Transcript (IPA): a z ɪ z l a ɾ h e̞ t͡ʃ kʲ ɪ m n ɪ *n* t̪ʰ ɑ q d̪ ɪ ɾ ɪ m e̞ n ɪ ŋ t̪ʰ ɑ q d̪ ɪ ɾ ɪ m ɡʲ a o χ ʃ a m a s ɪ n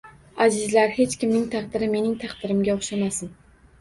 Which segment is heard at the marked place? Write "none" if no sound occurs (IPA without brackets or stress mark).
ŋ